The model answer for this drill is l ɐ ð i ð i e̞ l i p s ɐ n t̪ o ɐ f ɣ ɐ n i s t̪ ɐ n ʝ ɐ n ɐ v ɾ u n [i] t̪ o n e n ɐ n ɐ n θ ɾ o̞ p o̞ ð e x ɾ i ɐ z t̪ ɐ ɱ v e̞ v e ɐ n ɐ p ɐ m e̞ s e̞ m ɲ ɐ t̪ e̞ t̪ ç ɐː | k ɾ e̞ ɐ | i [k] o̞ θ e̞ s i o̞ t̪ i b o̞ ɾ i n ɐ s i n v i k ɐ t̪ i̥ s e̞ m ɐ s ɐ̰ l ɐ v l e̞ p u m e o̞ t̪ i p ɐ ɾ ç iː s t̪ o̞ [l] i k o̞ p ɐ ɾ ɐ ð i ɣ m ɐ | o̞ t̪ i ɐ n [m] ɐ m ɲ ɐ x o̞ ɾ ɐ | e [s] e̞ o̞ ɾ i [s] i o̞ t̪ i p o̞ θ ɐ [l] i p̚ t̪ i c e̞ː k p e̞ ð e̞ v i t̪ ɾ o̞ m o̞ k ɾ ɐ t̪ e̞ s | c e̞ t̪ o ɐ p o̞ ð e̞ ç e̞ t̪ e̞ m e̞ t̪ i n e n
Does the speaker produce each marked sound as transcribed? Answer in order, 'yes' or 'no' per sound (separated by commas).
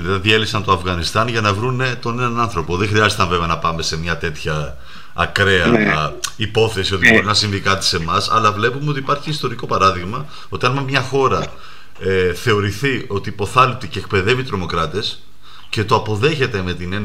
no, no, no, yes, no, no, yes